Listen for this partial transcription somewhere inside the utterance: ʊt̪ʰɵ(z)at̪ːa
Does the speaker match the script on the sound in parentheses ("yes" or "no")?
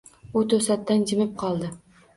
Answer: no